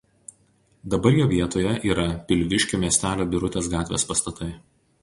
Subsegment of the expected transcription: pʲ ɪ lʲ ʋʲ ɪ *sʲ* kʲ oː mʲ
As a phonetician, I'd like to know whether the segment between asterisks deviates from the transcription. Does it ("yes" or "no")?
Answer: yes